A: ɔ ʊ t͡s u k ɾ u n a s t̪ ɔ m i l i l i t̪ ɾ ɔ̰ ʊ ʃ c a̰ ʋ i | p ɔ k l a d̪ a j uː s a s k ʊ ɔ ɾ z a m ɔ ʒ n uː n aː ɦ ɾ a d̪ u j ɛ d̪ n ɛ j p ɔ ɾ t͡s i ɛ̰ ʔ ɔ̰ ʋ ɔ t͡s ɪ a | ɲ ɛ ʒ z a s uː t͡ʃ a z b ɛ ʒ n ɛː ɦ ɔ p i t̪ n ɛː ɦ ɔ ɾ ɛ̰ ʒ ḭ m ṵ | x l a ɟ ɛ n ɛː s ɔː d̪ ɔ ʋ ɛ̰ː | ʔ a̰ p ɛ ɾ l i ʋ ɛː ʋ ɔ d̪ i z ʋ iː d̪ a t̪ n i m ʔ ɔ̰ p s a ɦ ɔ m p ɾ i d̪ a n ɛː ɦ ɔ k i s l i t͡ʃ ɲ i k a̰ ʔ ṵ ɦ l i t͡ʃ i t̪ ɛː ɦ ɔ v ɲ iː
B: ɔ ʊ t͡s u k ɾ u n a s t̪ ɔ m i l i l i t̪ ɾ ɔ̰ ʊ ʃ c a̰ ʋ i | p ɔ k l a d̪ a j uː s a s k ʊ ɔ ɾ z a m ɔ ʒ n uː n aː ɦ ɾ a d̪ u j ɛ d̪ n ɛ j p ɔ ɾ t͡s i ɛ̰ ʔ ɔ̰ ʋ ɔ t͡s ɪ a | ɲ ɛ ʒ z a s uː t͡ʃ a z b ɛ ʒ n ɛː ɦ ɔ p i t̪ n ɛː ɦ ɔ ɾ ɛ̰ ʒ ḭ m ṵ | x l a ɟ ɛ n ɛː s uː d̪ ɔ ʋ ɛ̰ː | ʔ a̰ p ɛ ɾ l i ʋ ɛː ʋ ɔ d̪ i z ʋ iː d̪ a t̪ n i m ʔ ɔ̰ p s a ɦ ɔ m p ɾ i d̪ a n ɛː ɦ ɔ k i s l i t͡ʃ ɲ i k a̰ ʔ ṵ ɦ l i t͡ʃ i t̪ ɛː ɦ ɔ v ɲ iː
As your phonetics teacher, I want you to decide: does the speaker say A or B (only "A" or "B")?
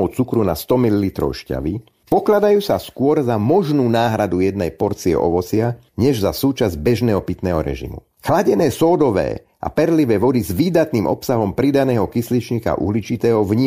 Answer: A